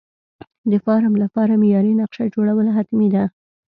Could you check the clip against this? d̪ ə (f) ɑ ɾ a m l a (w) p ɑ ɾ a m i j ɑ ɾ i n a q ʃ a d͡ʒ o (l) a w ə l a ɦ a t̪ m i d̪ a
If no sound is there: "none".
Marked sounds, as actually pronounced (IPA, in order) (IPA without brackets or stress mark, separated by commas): f, none, ɽ